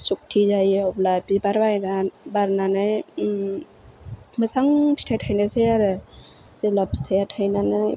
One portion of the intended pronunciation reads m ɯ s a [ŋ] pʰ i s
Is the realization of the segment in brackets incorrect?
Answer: no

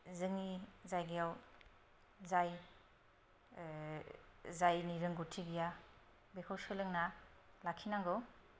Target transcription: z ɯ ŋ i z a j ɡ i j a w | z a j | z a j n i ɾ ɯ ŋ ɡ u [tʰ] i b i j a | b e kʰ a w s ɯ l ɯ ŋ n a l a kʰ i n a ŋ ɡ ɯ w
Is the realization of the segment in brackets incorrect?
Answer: no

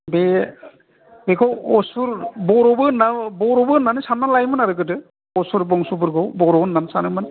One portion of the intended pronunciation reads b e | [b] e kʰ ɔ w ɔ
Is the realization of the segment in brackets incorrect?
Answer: no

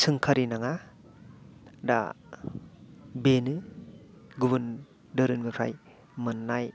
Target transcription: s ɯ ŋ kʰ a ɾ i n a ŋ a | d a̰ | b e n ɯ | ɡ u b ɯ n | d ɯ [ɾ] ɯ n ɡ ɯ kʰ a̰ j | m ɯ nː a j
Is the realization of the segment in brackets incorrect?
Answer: no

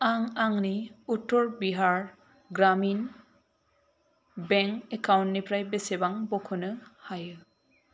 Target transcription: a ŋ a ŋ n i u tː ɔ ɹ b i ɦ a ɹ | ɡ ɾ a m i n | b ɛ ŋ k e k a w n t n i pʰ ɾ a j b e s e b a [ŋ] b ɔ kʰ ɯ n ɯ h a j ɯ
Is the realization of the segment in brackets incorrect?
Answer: no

